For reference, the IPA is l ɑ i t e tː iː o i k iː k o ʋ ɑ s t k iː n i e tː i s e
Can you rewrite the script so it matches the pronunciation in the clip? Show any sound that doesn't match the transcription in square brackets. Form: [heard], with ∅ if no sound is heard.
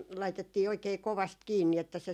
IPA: l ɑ i t e tː iː o i k [eː] k o ʋ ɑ s t k iː [nː] i e tː [æ] s e